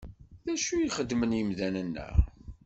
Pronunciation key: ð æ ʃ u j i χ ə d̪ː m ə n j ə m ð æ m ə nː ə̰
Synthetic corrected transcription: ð æ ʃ u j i χ ə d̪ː m ə n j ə m ð æ n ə nː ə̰